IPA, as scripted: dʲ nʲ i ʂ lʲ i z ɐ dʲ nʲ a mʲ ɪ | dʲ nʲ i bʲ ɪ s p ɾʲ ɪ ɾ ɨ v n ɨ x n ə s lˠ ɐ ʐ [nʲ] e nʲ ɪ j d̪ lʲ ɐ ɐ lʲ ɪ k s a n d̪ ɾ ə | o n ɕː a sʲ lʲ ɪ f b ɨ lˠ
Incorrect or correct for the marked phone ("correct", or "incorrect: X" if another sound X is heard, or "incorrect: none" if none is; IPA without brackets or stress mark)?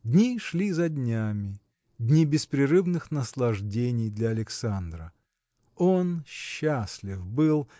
incorrect: dʲ